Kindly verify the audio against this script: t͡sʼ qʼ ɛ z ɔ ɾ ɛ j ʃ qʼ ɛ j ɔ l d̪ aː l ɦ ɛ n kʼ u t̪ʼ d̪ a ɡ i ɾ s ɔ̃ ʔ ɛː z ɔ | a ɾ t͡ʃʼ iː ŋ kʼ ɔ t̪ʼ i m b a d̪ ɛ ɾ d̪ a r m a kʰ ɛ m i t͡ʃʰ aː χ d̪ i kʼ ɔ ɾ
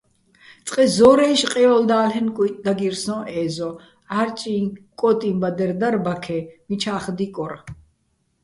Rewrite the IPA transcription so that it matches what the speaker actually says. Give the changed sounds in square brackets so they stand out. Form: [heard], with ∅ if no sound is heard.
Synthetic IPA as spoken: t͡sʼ qʼ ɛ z ɔ ɾ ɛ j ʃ qʼ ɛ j ɔ l d̪ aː l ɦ ɛ n kʼ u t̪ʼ d̪ a ɡ i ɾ s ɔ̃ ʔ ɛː z ɔ | a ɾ t͡ʃʼ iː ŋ kʼ ɔ t̪ʼ i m b a d̪ ɛ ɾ d̪ a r [b] a kʰ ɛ m i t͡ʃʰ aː χ d̪ i kʼ ɔ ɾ

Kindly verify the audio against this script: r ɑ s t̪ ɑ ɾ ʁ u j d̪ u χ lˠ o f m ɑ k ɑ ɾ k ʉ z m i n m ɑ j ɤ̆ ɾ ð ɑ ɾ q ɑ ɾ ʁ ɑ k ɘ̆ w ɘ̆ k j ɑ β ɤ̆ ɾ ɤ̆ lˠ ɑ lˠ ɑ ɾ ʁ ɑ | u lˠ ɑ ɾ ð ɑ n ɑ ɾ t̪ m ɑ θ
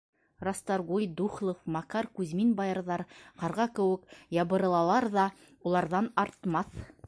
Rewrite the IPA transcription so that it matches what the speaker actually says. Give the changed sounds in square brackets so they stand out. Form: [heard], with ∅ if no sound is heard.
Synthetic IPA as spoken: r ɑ s t̪ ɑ ɾ ʁ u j d̪ u χ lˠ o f m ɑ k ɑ ɾ k ʉ z m i n [b] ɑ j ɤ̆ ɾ ð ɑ ɾ q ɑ ɾ ʁ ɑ k ɘ̆ w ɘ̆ k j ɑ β ɤ̆ ɾ ɤ̆ lˠ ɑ lˠ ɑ ɾ [ð] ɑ | u lˠ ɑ ɾ ð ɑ n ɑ ɾ t̪ m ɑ θ

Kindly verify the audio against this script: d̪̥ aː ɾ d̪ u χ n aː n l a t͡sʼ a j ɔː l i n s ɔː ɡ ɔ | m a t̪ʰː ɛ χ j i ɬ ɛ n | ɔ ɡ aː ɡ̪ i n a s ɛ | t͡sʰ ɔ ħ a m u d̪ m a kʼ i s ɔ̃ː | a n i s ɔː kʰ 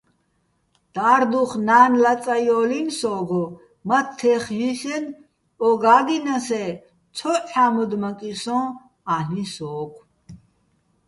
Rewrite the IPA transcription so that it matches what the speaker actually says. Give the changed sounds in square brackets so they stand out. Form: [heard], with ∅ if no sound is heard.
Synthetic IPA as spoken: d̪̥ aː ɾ d̪ u χ n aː n l a t͡sʼ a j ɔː l i n s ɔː ɡ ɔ | m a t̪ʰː ɛ χ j i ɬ ɛ n | ɔ ɡ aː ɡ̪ i n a s ɛ | t͡sʰ ɔ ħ a m u d̪ m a kʼ i s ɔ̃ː | a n i s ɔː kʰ

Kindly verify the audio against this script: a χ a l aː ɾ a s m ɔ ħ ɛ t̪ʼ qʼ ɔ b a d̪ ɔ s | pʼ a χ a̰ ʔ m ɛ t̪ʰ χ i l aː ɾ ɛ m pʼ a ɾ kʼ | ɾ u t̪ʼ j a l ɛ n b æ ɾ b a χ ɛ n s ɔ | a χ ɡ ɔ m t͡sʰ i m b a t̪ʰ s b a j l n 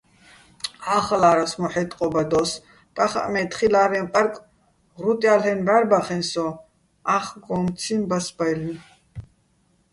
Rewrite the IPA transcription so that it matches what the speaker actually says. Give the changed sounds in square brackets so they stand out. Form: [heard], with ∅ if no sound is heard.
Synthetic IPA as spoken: a χ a l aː ɾ a s m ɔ ħ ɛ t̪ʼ qʼ ɔ b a d̪ ɔ s | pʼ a χ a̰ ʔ m ɛ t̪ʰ χ i l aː ɾ ɛ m pʼ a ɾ kʼ | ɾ u t̪ʼ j a l ɛ n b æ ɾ b a χ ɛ n s ɔ | a χ ɡ ɔ m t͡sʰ i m b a [∅] s b a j l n

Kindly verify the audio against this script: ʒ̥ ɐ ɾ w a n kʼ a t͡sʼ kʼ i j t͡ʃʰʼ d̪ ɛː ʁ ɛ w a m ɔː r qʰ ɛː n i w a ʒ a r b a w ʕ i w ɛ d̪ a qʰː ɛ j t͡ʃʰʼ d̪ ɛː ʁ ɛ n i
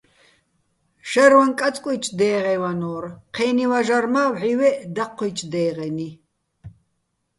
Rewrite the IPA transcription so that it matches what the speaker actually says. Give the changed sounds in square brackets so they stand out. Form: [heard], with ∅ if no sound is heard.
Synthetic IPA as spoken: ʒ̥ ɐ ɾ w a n kʼ a t͡sʼ kʼ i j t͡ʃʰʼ d̪ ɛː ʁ ɛ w a [n] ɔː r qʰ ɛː n i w a ʒ a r [m] a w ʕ i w ɛ d̪ a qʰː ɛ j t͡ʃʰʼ d̪ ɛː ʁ ɛ n i

